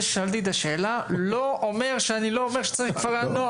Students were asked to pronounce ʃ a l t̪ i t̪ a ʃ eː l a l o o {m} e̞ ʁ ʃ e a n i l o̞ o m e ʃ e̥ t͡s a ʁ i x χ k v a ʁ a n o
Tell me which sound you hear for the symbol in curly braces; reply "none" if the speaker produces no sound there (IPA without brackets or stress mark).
m